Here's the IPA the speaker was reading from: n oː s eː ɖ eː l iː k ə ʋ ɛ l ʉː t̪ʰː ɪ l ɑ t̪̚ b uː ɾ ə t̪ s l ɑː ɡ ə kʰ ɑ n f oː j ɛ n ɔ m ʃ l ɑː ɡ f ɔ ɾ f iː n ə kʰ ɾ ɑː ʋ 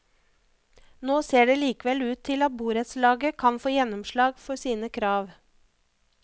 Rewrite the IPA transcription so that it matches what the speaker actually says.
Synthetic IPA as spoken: n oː s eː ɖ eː l iː k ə ʋ ɛ l ʉː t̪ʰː ɪ l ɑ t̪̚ b uː ɾ ə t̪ s l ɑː ɡ ə kʰ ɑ n f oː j ɛ n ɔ m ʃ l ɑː ɡ f ɔ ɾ s iː n ə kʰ ɾ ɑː ʋ